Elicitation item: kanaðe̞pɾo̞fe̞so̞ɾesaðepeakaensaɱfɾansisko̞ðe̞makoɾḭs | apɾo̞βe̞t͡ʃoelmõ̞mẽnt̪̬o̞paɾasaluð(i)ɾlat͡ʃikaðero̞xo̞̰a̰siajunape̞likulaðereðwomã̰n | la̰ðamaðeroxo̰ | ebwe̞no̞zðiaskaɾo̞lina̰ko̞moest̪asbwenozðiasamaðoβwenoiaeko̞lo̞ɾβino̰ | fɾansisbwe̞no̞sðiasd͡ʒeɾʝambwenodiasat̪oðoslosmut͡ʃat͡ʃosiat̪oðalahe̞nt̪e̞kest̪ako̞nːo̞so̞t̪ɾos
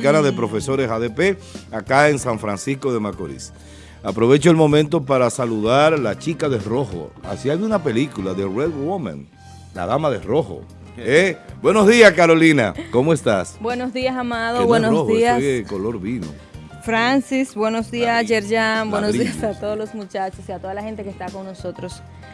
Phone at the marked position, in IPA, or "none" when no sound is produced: a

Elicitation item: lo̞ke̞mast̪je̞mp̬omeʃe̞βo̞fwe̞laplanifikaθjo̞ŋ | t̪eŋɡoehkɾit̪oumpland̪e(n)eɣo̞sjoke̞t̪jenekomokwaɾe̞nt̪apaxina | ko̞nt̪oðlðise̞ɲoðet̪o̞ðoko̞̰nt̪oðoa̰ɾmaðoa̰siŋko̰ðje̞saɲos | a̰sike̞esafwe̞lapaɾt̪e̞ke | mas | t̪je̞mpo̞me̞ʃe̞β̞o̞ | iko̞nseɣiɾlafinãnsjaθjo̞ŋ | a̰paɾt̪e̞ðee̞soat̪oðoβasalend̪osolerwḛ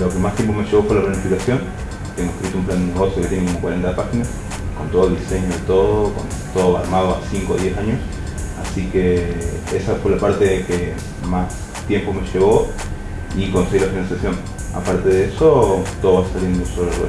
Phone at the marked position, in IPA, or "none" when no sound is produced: n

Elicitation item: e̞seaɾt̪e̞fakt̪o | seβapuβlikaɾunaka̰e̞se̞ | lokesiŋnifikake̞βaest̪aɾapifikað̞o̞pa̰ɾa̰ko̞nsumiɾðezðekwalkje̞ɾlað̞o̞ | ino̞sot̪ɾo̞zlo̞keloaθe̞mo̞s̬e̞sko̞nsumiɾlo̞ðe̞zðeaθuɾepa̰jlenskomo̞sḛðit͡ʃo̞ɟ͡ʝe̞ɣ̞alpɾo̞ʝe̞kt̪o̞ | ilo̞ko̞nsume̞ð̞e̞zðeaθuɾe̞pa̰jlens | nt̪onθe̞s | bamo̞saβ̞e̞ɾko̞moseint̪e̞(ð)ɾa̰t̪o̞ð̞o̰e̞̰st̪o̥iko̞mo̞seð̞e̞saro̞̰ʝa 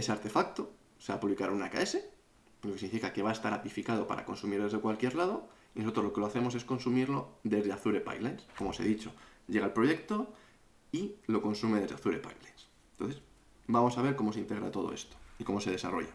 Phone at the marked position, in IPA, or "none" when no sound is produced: ɣ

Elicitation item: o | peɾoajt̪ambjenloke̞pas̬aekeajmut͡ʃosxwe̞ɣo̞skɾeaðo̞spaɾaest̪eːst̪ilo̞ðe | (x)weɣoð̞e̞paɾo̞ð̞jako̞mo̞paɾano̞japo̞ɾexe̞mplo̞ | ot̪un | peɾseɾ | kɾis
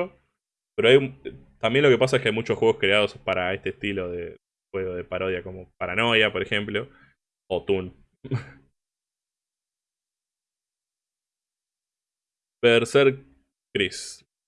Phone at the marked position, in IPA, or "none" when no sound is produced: x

